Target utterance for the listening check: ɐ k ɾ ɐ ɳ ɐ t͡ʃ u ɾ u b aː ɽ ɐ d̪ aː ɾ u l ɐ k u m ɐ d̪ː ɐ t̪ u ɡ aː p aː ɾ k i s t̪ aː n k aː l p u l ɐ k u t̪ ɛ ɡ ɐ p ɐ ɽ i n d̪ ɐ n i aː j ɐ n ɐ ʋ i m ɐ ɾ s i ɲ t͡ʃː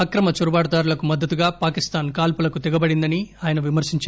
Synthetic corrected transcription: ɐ k ɾ ɐ m ɐ t͡ʃ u ɾ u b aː ɽ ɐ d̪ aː ɾ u l ɐ k u m ɐ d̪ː ɐ t̪ u ɡ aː p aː k i s t̪ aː n k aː l p u l ɐ k u t̪ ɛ ɡ ɐ b ɐ ɽ i n d̪ ɐ n i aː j ɐ n ɐ ʋ i m ɐ ɾ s i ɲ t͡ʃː